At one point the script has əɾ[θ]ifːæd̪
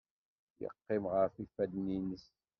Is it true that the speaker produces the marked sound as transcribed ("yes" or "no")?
no